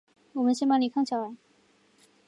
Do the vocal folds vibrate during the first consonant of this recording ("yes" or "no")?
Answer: yes